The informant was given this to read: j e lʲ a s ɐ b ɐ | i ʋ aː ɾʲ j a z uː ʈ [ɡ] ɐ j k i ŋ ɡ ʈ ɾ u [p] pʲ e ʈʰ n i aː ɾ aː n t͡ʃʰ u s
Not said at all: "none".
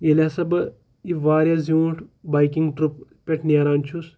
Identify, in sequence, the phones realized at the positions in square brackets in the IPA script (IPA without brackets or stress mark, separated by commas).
b, p